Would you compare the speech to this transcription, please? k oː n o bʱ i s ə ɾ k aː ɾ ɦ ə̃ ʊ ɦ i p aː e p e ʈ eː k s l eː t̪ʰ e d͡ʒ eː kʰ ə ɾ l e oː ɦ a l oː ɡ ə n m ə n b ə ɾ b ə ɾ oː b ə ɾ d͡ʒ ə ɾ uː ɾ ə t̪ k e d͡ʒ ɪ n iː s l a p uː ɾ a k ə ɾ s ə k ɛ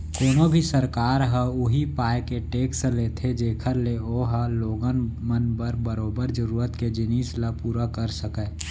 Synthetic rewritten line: k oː n o bʱ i s ə ɾ k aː ɾ ɦ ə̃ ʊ ɦ i p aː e k e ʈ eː k s l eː t̪ʰ e d͡ʒ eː kʰ ə ɾ l e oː ɦ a l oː ɡ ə n m ə n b ə ɾ b ə ɾ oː b ə ɾ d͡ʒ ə ɾ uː ɾ ə t̪ k e d͡ʒ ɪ n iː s l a p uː ɾ a k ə ɾ s ə k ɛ